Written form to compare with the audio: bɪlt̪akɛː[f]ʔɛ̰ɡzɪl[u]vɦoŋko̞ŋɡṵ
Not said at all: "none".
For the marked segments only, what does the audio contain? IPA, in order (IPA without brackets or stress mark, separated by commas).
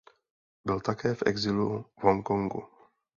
f, u